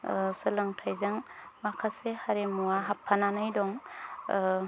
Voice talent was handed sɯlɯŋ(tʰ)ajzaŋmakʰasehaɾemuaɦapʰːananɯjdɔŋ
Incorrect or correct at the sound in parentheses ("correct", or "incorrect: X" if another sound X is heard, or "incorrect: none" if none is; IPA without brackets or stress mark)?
correct